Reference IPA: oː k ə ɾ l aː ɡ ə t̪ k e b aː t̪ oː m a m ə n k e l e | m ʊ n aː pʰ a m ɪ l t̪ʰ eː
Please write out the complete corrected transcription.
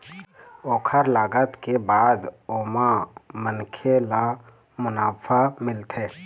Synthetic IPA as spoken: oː kʰ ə ɾ l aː ɡ ə t̪ k e b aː d̪ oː m a m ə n kʰ e l a | m ʊ n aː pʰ a m ɪ l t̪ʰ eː